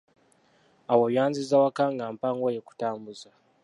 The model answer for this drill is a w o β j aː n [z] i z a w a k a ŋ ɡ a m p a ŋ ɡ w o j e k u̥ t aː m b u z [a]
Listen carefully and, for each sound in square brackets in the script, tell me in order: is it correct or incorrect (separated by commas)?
correct, correct